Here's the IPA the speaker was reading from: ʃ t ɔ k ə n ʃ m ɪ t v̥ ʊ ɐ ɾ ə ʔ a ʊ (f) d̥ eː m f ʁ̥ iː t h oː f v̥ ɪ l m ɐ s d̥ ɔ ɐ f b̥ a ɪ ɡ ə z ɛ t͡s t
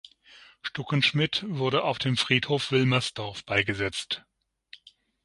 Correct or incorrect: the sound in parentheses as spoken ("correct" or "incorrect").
correct